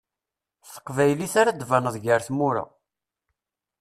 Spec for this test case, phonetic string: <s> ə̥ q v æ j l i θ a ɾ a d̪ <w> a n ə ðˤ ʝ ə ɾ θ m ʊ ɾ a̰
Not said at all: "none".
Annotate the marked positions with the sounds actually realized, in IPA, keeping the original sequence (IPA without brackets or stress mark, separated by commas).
θ, v